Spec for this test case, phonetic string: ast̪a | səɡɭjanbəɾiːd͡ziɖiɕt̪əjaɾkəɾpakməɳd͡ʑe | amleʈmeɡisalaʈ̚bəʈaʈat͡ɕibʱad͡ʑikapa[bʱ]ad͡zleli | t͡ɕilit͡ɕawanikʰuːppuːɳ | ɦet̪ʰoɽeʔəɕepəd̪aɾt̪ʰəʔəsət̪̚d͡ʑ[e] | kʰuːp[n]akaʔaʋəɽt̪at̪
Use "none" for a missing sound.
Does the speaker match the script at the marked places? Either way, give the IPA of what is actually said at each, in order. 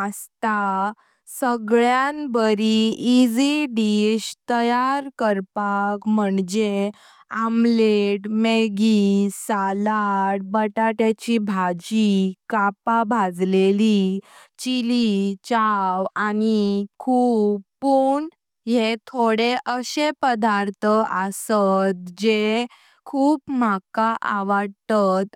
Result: bʱ, e, m

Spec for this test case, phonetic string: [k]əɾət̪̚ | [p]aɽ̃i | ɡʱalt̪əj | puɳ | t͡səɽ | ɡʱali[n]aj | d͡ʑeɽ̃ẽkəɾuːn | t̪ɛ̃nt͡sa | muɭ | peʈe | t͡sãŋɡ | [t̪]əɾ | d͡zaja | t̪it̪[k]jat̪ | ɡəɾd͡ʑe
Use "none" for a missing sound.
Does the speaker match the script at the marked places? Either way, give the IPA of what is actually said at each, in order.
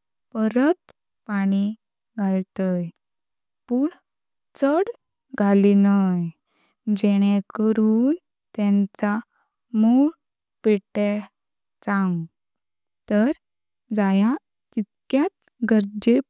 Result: p, p, n, t̪, k

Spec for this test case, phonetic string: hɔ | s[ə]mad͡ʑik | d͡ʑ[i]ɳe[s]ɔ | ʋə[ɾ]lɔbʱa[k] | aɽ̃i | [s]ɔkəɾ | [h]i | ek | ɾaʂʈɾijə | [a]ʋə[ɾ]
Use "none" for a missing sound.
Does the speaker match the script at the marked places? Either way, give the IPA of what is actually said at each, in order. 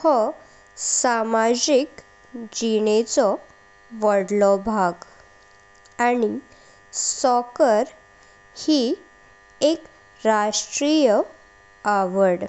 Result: a, i, t͡s, ɽ, ɡ, s, h, a, ɽ

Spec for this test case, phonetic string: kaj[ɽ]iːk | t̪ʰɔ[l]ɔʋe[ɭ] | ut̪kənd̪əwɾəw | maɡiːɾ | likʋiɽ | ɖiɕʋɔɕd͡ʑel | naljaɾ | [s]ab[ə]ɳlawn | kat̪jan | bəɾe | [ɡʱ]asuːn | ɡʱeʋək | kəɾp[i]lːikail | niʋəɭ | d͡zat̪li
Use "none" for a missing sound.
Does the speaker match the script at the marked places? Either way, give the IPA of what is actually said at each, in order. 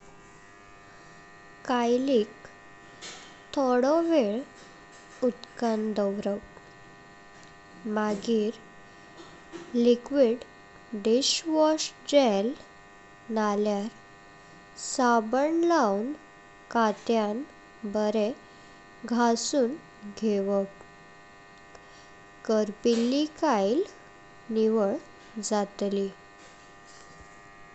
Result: l, ɽ, ɭ, s, ə, ɡʱ, i

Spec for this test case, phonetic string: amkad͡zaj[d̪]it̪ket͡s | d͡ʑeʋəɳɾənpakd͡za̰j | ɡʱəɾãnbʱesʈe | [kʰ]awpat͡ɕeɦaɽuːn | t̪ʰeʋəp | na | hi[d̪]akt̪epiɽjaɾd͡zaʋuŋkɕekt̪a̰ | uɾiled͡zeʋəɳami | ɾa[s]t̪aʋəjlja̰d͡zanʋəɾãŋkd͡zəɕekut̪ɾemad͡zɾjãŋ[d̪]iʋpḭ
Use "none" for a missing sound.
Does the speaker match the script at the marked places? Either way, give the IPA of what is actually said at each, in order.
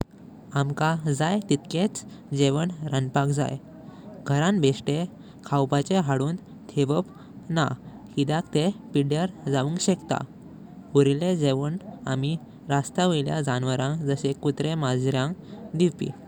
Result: t̪, kʰ, d̪, s, d̪

